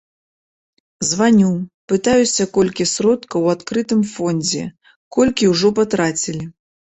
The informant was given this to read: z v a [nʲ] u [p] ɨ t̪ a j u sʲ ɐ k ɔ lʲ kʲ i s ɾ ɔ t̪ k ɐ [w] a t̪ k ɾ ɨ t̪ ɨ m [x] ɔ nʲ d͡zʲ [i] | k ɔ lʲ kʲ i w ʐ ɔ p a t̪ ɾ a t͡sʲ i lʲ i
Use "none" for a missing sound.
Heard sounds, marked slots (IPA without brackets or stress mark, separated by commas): nʲ, p, w, f, ɛ